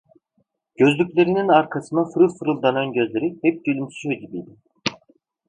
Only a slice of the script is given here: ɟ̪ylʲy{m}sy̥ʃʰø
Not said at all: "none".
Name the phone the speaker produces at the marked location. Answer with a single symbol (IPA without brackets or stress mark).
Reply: m